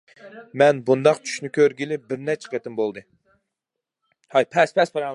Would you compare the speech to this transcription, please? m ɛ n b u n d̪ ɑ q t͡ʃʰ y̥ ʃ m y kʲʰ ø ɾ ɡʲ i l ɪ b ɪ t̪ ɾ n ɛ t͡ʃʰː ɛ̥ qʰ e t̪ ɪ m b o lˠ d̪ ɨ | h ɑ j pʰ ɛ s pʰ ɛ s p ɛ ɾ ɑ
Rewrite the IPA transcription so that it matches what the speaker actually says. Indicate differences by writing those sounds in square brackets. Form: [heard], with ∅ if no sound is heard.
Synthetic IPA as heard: m ɛ n b u n d̪ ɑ q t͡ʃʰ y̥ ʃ [n] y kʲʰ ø ɾ ɡʲ i l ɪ b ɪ [∅] ɾ n ɛ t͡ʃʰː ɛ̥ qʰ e t̪ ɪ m b o lˠ d̪ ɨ | h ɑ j pʰ ɛ s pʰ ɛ s p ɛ ɾ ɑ